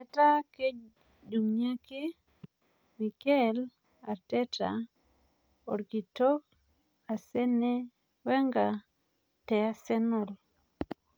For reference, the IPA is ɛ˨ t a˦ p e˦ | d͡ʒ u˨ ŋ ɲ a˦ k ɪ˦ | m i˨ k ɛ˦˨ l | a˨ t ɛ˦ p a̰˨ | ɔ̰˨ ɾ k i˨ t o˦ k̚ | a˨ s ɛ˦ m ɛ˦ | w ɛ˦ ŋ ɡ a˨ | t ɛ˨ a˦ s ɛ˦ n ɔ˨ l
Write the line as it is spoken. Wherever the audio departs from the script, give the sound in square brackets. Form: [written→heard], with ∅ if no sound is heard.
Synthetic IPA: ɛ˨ t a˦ [p→k] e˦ | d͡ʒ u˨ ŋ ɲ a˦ k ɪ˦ | m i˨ k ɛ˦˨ l | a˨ t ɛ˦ [p→t] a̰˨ | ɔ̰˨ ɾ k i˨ t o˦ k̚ | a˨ s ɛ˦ [m→n] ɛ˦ | w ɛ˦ ŋ ɡ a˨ | t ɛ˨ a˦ s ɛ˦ n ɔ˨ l